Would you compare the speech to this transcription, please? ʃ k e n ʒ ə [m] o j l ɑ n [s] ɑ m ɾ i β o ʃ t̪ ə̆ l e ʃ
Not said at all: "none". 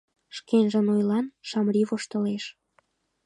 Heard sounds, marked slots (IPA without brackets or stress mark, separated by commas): n, ʃ